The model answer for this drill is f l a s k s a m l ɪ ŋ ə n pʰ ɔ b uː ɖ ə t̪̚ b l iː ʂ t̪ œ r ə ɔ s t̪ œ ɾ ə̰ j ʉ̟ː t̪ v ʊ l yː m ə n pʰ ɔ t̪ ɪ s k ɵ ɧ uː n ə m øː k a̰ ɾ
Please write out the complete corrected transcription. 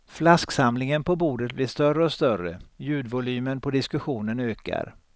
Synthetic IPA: f l a s k s a m l ɪ ŋ ə n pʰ ɔ b uː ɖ ə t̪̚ b l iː ʂ t̪ œ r ə ɔ s t̪ œ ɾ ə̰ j ʉ̟ː d̪ v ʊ l yː m ə n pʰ ɔ d̪ ɪ s k ɵ ɧ uː n ə n øː k a̰ ɾ